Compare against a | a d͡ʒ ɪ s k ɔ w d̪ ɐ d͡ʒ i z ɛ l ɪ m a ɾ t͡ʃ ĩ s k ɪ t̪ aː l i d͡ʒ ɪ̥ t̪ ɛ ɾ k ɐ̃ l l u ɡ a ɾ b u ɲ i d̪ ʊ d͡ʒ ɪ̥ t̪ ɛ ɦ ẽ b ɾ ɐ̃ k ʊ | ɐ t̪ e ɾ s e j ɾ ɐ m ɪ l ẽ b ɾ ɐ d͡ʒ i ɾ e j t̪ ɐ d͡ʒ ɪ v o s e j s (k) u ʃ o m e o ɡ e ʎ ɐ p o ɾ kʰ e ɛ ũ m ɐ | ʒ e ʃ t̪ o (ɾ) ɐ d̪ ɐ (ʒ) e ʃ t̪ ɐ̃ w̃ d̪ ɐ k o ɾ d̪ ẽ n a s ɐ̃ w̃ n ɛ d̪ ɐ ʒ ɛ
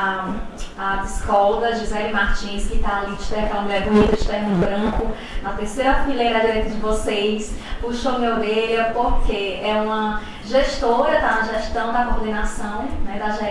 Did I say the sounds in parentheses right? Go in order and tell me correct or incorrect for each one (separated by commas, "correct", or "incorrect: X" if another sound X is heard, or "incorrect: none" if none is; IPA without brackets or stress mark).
incorrect: p, correct, correct